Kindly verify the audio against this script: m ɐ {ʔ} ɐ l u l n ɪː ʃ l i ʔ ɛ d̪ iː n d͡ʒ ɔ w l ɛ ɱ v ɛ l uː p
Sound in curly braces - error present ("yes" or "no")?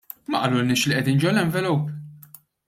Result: no